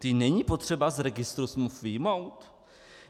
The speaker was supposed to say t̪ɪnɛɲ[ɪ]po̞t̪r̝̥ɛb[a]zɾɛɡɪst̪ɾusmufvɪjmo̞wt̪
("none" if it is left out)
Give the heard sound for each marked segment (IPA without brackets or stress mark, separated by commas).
i, a